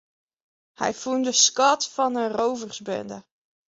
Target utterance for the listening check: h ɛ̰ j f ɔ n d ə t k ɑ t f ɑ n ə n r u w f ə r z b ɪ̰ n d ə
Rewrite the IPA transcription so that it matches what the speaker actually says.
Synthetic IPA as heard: h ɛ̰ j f u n d ə s k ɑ t f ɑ n ə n r o w v ə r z b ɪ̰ n d ə